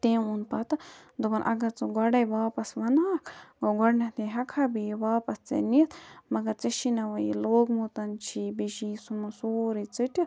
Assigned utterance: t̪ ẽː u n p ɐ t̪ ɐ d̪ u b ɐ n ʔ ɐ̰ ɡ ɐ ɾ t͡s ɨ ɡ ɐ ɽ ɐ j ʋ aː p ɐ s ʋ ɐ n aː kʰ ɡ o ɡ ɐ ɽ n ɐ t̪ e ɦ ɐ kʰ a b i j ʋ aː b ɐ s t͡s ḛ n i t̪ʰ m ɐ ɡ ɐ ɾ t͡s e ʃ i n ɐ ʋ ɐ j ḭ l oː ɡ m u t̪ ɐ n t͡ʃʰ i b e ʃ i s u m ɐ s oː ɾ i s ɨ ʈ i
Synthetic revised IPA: t̪ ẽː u n p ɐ t̪ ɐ d̪ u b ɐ n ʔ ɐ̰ ɡ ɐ ɾ t͡s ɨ ɡ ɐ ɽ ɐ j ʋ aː p ɐ s ʋ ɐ n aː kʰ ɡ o ɡ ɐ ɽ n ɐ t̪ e ɦ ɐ kʰ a b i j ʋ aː p ɐ s t͡s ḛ n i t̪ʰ m ɐ ɡ ɐ ɾ t͡s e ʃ i n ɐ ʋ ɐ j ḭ l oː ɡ m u t̪ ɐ n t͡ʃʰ i b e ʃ i s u m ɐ s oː ɾ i t͡s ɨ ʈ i